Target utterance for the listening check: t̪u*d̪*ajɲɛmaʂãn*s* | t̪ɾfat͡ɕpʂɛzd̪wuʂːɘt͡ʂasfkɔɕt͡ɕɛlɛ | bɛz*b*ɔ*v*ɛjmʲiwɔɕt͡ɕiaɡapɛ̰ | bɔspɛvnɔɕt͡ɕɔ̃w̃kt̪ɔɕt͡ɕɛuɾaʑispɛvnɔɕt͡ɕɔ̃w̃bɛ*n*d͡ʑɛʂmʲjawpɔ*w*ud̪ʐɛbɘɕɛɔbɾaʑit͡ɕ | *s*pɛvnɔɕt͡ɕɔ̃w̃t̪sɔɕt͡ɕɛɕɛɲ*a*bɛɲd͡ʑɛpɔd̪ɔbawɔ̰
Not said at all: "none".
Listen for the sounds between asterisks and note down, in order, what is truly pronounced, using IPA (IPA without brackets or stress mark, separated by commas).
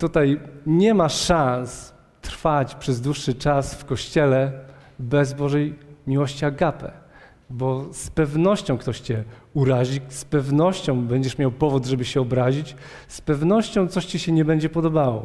t̪, s, b, ʐ, ɲ, v, s, ɛ